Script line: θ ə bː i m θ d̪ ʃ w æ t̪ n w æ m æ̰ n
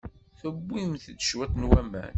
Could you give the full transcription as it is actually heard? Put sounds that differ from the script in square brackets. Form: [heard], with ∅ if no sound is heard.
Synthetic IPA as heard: θ ə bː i m θ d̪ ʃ w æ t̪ n w æ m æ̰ n